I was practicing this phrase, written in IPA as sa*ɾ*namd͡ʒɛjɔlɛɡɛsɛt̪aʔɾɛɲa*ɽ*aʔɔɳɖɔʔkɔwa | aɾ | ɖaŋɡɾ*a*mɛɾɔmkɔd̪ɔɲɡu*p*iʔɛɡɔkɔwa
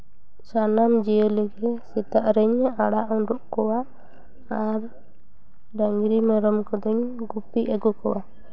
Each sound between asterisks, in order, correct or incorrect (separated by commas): incorrect, correct, incorrect, correct